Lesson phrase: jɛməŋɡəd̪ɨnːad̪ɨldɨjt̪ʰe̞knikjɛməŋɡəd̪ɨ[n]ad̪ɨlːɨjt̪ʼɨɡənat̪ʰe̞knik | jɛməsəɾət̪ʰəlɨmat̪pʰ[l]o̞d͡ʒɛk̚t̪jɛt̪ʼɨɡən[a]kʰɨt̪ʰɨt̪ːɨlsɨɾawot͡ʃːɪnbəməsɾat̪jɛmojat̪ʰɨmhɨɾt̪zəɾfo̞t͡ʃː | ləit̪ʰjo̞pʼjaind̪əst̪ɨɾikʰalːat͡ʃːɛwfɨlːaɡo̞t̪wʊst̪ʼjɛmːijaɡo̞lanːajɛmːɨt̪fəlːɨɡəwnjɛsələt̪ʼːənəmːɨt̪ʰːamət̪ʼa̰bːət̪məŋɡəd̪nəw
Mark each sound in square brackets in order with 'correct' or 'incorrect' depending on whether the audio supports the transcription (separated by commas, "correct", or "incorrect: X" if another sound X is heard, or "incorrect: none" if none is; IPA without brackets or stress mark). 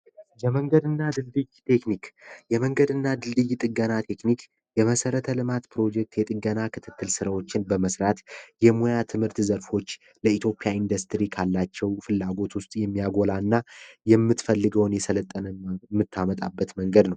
incorrect: nː, incorrect: ɾ, correct